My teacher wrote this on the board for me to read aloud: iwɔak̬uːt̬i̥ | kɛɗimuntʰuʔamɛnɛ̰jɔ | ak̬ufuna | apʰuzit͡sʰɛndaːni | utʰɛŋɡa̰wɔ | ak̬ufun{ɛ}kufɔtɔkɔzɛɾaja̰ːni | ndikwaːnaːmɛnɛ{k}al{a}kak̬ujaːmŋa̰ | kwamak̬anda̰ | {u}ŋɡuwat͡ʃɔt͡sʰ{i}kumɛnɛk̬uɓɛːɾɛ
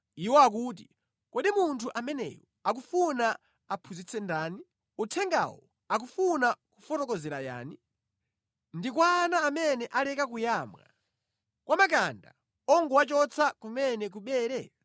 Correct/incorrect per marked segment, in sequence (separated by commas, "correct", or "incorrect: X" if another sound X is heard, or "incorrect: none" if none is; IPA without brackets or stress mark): incorrect: a, incorrect: ʔ, incorrect: ɛ, incorrect: ɔ, incorrect: a